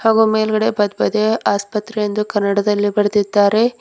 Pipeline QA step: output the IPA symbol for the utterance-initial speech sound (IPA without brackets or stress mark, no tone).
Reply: h